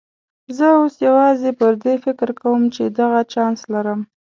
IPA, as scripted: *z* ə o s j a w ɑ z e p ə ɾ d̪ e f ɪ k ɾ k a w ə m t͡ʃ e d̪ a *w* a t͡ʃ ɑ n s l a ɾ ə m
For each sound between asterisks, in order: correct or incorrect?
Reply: correct, incorrect

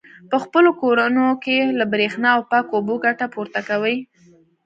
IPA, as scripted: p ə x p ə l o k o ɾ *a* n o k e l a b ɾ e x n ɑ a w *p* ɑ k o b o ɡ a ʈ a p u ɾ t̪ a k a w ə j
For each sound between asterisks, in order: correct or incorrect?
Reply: correct, correct

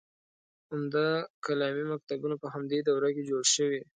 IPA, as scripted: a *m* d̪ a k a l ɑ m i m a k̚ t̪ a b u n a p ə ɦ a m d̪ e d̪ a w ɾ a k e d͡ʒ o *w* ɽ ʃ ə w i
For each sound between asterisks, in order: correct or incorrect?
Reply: correct, incorrect

